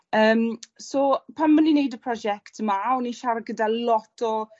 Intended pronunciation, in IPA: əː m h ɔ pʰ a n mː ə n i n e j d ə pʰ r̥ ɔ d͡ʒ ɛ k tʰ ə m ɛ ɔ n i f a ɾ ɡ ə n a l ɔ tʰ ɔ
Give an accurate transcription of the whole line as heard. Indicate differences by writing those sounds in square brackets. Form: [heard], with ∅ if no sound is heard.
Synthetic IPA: əː m [s] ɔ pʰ a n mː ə n i n e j d ə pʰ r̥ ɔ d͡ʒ ɛ k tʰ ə m [a] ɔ n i [ʃ] a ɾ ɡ ə [d] a l ɔ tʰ ɔ